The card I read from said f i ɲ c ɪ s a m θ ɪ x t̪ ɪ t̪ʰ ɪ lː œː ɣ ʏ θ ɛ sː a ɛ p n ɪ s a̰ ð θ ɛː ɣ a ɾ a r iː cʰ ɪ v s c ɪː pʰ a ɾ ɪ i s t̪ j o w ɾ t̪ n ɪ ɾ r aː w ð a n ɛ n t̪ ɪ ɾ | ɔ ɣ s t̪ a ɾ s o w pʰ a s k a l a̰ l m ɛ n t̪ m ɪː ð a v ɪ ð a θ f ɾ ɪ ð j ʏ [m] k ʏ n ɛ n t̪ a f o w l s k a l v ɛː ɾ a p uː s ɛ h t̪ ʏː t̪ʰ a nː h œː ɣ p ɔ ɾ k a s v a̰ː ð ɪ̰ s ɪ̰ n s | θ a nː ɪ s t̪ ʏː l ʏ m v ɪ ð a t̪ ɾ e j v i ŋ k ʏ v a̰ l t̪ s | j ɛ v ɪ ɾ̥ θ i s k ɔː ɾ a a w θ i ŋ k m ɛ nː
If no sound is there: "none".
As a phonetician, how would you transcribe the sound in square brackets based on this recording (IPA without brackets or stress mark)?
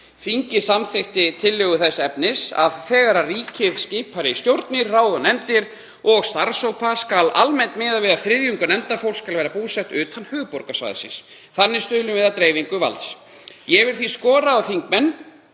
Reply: ŋ